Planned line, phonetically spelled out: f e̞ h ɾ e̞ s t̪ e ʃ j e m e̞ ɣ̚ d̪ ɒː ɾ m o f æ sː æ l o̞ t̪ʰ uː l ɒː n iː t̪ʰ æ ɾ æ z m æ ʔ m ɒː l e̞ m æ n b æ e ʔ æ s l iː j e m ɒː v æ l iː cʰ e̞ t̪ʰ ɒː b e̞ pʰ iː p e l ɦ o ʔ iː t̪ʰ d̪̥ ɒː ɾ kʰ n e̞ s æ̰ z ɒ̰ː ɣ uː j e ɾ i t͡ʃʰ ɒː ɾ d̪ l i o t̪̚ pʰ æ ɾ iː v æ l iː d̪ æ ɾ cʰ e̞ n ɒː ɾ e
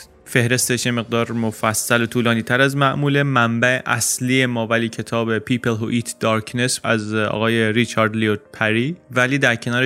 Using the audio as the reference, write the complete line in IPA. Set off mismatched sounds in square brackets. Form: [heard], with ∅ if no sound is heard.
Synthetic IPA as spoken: f e̞ h ɾ e̞ s t̪ e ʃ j e m e̞ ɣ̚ d̪ ɒː ɾ m o f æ sː æ l o̞ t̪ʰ uː l ɒː n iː t̪ʰ æ ɾ æ z m æ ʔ m [uː] l e̞ m æ [m] b æ e ʔ æ s l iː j e m ɒː v æ l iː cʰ e̞ t̪ʰ ɒː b e̞ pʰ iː p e l ɦ o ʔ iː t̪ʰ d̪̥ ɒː ɾ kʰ n e̞ s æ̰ z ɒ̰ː ɣ [ɒː] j e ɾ i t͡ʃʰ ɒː ɾ d̪ l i o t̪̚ pʰ æ ɾ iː v æ l iː d̪ æ ɾ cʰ e̞ n ɒː ɾ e